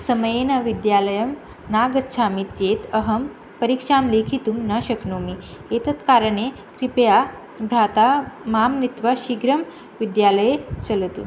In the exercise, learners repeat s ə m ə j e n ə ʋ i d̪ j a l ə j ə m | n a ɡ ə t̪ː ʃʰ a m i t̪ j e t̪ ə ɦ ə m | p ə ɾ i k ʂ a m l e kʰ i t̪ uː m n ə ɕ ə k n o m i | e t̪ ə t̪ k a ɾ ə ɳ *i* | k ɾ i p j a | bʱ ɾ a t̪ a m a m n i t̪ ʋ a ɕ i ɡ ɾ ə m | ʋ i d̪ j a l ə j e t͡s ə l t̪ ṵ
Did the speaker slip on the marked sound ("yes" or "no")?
yes